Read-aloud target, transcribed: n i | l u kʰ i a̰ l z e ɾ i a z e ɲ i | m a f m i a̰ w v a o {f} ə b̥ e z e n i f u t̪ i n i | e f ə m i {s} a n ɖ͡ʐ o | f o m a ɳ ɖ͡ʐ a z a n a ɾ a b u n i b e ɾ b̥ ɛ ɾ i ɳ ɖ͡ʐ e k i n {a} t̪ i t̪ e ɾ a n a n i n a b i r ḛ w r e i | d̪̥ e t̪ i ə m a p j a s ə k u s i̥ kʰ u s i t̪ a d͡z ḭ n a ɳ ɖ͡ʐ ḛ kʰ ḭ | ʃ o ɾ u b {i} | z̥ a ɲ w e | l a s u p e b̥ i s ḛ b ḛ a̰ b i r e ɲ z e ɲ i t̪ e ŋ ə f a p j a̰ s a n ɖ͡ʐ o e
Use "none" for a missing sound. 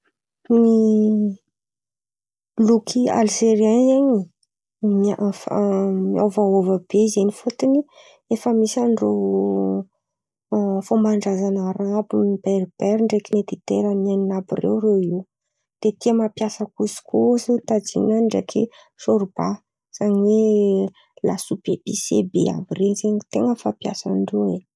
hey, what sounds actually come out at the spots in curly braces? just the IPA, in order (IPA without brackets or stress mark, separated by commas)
v, s, e, a